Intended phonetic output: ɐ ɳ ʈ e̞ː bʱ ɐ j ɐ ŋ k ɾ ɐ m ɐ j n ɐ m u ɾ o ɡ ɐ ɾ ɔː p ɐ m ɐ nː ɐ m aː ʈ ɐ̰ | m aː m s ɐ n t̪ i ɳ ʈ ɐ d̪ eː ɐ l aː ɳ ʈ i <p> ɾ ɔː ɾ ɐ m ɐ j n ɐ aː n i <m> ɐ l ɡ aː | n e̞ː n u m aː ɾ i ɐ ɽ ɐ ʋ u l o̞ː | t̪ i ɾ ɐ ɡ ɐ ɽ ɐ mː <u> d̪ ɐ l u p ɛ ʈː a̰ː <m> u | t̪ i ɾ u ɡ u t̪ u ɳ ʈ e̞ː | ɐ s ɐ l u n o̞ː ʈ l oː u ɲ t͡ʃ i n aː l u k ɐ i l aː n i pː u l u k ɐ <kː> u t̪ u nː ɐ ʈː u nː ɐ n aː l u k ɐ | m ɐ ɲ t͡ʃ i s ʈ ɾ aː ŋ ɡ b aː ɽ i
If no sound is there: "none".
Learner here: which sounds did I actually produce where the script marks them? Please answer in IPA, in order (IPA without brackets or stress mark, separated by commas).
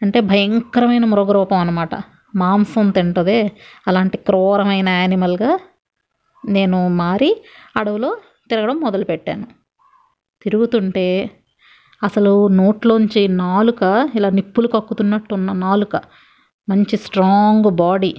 k, m, ɔ, n, kː